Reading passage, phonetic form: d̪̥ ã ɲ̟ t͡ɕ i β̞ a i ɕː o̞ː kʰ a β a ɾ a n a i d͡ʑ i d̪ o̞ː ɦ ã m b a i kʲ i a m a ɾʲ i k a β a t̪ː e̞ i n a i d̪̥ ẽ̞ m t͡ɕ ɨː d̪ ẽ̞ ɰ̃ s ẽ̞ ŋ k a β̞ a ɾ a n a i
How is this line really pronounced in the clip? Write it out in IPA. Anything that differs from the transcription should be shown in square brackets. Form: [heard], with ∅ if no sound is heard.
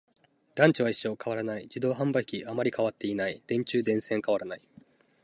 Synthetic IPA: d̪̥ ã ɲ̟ t͡ɕ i β̞ a i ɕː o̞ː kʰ a β a ɾ a n a i d͡ʑ i d̪ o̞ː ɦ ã m b a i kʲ i a m a ɾʲ i k a β a t̪ː e̞ i n a i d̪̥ ẽ̞ [ɲ] t͡ɕ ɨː d̪ ẽ̞ ɰ̃ s ẽ̞ ŋ k a β̞ a ɾ a n a i